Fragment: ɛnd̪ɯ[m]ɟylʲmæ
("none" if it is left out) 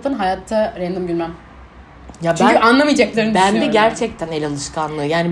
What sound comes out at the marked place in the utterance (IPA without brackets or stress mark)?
m